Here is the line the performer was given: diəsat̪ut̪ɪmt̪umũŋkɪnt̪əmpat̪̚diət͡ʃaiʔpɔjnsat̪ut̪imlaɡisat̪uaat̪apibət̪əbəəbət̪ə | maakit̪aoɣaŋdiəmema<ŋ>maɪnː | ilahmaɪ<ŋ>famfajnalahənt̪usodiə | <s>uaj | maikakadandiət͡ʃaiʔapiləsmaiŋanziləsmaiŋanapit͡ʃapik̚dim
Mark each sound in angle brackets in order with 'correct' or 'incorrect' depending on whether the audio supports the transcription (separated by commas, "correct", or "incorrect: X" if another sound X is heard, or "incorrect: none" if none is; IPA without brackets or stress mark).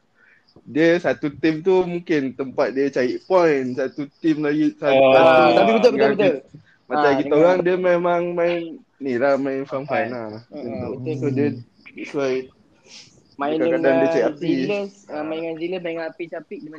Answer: correct, incorrect: n, correct